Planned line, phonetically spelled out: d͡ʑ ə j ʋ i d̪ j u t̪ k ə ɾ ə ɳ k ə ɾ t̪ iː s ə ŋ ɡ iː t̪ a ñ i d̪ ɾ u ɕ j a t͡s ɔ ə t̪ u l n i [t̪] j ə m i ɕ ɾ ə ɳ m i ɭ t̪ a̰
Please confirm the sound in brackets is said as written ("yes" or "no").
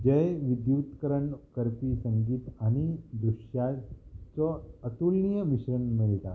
no